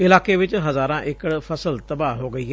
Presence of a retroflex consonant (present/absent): present